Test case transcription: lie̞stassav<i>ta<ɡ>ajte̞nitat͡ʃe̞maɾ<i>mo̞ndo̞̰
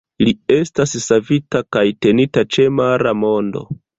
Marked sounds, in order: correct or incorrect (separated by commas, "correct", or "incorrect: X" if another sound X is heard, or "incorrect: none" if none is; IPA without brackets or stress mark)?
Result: correct, incorrect: k, incorrect: a